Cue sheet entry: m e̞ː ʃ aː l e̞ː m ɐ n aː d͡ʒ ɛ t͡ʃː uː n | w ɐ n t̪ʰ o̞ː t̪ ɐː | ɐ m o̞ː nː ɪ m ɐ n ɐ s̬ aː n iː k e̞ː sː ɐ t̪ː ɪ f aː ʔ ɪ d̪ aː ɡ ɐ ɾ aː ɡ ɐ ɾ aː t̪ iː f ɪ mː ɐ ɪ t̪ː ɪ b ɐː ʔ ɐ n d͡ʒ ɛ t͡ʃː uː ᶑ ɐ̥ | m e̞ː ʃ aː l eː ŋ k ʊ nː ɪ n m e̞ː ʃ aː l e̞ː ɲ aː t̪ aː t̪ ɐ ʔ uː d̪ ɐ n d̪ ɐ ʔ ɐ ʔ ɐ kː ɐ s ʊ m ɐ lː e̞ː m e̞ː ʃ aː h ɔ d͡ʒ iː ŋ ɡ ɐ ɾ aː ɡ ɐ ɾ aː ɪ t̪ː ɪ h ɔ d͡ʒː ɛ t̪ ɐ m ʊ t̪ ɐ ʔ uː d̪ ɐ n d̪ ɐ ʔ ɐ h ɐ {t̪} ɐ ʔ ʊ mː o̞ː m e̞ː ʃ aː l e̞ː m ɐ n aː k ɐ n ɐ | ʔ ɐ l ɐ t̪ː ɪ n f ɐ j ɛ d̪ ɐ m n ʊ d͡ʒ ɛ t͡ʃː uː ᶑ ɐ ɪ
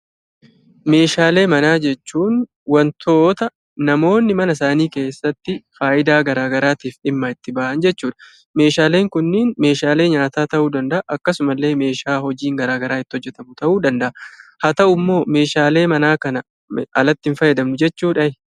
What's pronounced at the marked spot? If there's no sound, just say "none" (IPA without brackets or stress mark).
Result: t̪